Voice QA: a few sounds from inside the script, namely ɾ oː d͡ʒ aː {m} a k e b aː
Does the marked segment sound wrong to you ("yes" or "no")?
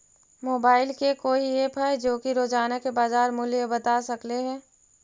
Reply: yes